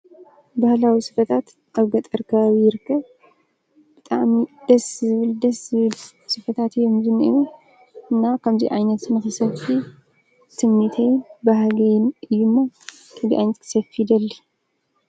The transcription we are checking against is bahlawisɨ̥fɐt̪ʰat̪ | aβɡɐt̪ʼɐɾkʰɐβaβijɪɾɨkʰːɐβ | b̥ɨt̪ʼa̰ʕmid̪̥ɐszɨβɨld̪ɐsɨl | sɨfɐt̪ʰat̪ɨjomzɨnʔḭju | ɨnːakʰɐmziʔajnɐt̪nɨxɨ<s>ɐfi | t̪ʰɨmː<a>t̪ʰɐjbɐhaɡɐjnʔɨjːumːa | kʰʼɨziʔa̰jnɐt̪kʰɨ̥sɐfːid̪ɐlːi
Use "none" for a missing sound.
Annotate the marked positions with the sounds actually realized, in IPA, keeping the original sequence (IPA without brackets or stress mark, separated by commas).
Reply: s, i